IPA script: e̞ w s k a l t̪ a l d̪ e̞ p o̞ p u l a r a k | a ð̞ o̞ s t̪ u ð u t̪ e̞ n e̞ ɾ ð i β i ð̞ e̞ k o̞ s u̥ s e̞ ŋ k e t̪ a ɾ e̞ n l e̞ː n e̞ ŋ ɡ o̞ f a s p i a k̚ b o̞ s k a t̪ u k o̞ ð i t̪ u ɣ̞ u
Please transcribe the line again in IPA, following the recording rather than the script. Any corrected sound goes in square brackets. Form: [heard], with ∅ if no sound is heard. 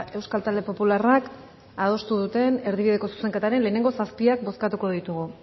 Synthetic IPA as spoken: e̞ w s k a l t̪ a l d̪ e̞ p o̞ p u l a r a k | a ð̞ o̞ s t̪ u ð u t̪ e̞ n e̞ ɾ ð i β i ð̞ e̞ k o̞ s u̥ s e̞ ŋ k e t̪ a ɾ e̞ n l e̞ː n e̞ ŋ ɡ o̞ [s] a s p i a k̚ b o̞ s k a t̪ u k o̞ ð i t̪ u ɣ̞ u